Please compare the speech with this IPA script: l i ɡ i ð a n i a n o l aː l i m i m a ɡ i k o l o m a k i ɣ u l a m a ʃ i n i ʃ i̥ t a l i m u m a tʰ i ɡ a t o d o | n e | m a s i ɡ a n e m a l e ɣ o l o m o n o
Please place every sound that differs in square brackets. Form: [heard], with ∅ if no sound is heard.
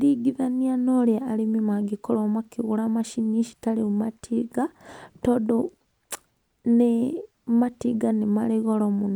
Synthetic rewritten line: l i ɡ i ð a n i a n o l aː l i m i m a ɡ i k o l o m a k i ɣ u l a m a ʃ i n i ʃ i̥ t a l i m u m a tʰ i ɡ a t o d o | n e | m a [t] i ɡ a n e m a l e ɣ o l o m [u] n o